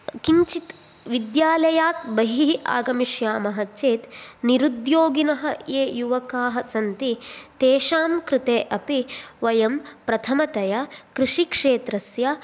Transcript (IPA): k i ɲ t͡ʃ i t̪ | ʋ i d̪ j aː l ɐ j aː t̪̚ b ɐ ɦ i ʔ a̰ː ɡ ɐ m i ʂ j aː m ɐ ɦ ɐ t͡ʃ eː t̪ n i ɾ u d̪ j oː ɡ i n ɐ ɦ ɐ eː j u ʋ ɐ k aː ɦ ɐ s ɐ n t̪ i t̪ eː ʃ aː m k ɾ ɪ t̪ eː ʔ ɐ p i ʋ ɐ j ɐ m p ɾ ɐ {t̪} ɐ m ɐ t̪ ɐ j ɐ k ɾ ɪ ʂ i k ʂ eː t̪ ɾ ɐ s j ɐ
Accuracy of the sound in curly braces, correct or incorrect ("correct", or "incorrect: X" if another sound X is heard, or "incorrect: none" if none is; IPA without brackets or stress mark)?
incorrect: t̪ʰ